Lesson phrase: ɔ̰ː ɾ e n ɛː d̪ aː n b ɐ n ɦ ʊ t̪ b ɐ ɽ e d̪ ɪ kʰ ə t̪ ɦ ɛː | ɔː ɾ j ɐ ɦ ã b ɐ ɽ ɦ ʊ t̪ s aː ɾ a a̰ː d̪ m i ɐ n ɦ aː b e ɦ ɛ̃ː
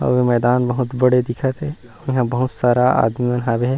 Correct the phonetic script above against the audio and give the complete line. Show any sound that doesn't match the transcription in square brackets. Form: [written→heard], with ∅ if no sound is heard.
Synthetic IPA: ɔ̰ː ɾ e [n→m] ɛː d̪ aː n b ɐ [n→∅] ɦ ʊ t̪ b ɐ ɽ e d̪ ɪ kʰ ə t̪ ɦ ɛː | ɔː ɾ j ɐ ɦ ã b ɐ [ɽ→∅] ɦ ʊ t̪ s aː ɾ a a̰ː d̪ m i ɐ n ɦ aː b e ɦ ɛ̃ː